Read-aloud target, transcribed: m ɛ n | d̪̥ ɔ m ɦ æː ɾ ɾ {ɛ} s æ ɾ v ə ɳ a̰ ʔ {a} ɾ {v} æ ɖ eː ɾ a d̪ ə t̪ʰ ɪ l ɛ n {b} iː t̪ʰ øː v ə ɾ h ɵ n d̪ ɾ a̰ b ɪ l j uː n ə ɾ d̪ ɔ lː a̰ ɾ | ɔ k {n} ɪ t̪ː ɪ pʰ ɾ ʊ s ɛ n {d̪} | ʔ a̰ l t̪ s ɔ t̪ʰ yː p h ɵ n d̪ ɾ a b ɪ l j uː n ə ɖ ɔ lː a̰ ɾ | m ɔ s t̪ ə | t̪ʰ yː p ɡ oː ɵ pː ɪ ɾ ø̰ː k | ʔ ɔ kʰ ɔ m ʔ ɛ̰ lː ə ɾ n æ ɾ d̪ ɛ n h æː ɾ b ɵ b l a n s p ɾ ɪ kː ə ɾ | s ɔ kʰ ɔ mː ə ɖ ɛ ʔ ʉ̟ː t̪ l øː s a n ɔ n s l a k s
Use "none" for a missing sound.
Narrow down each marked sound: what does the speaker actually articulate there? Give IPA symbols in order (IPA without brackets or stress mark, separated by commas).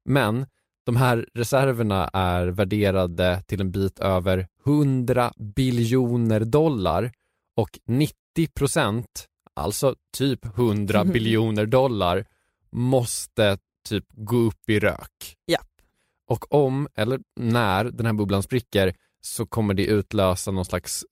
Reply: ɛ, æ, v, b, n, t̪